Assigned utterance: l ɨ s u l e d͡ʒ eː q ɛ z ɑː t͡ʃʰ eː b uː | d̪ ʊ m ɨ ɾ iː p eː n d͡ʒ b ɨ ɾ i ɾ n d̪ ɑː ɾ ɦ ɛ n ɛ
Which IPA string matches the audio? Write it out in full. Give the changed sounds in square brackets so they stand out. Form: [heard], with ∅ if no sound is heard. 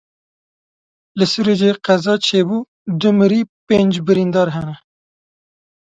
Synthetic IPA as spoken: l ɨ s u [ɾ] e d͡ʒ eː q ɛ z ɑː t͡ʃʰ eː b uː | d̪ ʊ m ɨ ɾ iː p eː n d͡ʒ b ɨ ɾ i [∅] n d̪ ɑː ɾ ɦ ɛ n ɛ